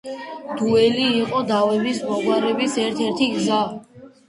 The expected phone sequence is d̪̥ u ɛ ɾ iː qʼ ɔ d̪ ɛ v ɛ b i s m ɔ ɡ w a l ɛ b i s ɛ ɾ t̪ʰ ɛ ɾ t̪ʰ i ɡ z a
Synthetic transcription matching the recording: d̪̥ u ɛ l iː qʼ ɔ d̪ a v ɛ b i s m ɔ ɡ w a ɾ ɛ b i s ɛ ɾ t̪ʰ ɛ ɾ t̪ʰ i ɡ z a